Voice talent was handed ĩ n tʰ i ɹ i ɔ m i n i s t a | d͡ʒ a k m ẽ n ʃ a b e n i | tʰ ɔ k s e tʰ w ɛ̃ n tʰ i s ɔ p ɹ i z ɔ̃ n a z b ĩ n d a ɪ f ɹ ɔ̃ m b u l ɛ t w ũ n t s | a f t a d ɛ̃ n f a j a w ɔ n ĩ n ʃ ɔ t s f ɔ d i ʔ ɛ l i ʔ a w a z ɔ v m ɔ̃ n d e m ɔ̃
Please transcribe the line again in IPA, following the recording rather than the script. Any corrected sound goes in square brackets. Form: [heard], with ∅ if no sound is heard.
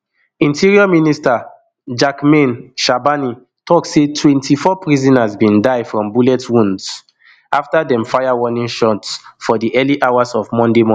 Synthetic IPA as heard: ĩ n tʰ i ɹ i ɔ m i n i s t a | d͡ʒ a k m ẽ n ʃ a b [a] n i | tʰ ɔ k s e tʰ w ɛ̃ n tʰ i [f] ɔ p ɹ i z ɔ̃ n a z b ĩ n d a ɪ f ɹ ɔ̃ m b u l ɛ t w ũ n [d] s | a f t a d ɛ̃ [m] f a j a w ɔ n ĩ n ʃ ɔ t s f ɔ d i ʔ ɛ l i ʔ a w a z ɔ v m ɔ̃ n d e m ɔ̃